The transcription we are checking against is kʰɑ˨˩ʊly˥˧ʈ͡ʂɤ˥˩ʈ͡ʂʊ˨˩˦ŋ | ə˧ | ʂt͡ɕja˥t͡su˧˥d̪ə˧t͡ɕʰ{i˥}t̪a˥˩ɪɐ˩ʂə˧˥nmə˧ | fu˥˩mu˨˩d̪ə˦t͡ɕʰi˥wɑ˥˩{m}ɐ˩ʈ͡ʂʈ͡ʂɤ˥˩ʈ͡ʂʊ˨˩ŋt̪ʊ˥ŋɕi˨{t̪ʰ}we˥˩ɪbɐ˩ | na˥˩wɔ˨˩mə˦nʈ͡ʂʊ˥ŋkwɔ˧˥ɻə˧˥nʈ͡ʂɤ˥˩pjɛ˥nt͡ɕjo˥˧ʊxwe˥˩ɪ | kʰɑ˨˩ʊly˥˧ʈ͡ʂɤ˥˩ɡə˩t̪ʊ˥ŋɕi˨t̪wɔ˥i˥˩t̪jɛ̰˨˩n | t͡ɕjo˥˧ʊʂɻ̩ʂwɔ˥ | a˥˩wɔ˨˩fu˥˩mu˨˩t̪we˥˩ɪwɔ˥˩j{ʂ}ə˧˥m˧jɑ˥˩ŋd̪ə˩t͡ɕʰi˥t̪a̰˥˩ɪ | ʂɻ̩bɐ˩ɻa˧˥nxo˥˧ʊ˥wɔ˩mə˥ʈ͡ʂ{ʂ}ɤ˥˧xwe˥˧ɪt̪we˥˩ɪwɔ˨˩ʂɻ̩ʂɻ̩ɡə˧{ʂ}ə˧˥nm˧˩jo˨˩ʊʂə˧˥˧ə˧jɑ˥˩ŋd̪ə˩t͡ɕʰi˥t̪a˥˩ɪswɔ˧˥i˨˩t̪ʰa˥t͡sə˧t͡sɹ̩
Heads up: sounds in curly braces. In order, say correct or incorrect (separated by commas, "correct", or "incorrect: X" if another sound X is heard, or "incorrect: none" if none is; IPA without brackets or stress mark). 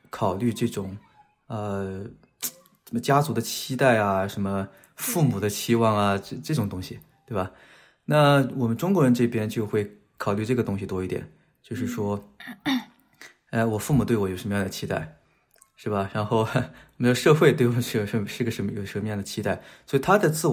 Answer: correct, incorrect: ŋ, incorrect: t̪, correct, correct, correct